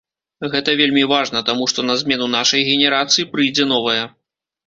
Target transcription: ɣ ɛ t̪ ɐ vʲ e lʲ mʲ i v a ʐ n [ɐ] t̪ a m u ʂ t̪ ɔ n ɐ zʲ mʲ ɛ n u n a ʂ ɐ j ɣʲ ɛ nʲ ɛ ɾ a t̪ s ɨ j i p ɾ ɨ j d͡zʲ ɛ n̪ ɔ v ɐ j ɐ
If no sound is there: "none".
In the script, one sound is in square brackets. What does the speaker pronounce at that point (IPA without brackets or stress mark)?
ɐ